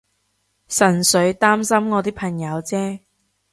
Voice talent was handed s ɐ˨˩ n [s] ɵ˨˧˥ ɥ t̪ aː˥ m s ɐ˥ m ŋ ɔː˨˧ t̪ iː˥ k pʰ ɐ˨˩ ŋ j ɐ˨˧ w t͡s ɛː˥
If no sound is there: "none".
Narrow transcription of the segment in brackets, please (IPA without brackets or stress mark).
s